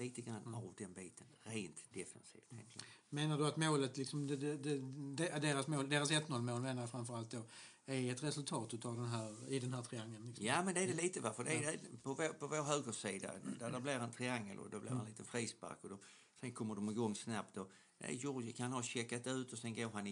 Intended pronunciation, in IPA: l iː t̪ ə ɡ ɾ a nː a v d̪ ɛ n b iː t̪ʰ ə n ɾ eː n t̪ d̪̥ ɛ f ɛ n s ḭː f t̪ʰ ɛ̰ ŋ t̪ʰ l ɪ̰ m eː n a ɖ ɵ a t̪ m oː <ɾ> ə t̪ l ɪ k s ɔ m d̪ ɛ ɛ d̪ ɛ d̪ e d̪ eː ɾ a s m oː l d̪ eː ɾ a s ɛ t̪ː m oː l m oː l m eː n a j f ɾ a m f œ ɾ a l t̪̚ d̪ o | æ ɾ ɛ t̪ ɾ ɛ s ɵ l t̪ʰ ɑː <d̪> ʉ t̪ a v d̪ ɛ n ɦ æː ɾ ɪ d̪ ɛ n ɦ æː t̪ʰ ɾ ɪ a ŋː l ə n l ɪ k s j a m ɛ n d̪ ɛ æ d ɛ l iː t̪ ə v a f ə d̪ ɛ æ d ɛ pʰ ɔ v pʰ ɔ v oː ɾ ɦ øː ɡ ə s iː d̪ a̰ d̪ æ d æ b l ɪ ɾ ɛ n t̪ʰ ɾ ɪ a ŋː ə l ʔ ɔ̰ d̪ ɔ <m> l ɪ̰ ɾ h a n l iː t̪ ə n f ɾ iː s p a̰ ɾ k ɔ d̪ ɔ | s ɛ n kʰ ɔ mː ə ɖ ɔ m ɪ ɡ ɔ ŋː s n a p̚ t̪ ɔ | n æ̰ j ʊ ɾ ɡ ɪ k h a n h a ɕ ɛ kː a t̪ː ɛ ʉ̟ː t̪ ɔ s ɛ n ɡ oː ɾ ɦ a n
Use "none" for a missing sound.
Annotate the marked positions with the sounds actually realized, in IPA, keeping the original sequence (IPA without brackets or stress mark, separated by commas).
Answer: l, t̪, b